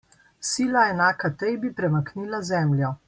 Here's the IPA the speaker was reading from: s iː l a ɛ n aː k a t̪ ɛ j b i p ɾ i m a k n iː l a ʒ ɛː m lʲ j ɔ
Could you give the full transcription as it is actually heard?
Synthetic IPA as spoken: s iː l a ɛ n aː k a t̪ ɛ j b i p ɾ ɛ m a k n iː l a z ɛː m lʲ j ɔ

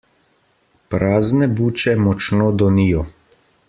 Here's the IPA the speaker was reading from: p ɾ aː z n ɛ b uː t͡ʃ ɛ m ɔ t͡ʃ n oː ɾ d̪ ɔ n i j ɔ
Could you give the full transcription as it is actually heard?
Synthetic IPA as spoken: p ɾ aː z n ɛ b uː t͡ʃ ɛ m ɔ t͡ʃ n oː d̪ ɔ n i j ɔ

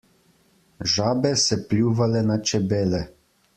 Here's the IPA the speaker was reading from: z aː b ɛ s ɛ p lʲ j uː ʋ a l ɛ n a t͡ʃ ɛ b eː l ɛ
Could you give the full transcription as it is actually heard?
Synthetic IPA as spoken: ʒ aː b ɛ s ɛ p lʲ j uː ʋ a l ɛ n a t͡ʃ ɛ b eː l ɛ

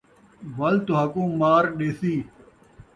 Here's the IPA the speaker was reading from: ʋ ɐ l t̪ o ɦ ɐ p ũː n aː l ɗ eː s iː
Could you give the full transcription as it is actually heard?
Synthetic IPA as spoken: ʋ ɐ l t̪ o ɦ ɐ k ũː m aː ɾ ɗ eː s iː

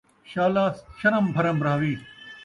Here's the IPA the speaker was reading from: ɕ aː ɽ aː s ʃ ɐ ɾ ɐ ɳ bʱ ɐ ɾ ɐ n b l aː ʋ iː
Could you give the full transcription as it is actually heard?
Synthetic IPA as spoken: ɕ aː l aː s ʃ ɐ ɾ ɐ m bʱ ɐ ɾ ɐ m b ɾ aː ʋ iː

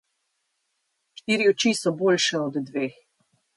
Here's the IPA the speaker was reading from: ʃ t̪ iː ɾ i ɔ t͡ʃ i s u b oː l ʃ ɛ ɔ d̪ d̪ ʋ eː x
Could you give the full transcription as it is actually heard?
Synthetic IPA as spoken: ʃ t̪ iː ɾ i ɔ t͡ʃ i s ɔ b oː l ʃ ɛ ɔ d̪ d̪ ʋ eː x

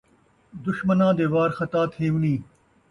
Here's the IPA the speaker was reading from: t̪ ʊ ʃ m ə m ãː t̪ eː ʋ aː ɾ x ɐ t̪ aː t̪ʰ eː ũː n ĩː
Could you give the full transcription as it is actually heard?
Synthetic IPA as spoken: d̪ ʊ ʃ m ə n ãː d̪ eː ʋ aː ɾ x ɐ t̪ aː t̪ʰ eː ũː n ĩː

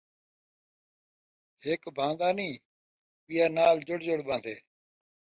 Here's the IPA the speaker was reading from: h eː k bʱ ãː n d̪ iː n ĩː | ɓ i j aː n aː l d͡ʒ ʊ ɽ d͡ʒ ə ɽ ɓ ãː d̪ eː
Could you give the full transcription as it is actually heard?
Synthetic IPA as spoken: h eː k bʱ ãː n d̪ aː n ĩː | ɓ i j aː n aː l d͡ʒ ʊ ɽ d͡ʒ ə ɽ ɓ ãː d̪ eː

